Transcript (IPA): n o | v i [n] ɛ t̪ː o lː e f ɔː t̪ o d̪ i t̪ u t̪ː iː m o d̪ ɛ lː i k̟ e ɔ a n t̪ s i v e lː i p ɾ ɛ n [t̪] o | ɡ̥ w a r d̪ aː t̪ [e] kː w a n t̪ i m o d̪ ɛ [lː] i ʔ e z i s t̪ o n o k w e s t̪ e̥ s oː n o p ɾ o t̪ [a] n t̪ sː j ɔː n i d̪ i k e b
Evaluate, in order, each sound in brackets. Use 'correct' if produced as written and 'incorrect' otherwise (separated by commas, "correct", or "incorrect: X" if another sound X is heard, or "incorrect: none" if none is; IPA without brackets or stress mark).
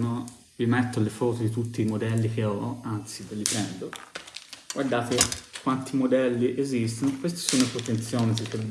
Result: incorrect: m, incorrect: d̪, correct, correct, incorrect: e